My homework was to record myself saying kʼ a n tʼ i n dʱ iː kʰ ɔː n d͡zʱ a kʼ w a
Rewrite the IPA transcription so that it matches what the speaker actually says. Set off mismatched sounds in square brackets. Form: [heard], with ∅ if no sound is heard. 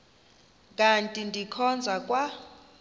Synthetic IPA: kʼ a n tʼ i n dʱ [i] kʰ [ɔ] n d͡zʱ a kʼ w a